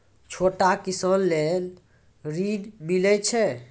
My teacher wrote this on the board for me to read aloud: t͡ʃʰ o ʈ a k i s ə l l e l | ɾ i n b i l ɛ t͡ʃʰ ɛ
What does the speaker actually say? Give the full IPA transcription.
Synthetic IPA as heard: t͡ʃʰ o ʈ a k i s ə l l e l | ɾ i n m i l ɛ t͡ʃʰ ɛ